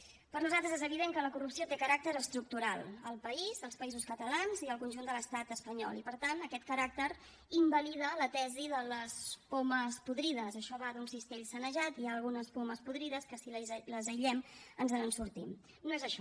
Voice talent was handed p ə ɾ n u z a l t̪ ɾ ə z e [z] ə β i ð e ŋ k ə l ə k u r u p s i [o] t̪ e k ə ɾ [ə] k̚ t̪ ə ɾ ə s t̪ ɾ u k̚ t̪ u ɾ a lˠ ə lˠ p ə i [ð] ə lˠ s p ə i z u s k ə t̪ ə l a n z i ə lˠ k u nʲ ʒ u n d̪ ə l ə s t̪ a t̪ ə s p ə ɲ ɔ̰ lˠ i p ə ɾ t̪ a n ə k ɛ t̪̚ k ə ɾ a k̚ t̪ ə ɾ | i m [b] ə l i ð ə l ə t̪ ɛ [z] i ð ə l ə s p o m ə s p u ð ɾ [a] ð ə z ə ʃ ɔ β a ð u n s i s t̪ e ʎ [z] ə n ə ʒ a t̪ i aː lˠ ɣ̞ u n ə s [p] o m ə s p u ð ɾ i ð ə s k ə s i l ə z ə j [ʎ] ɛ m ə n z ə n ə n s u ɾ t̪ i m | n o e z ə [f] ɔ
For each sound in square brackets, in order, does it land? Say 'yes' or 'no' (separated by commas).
yes, yes, no, no, yes, yes, no, no, yes, yes, no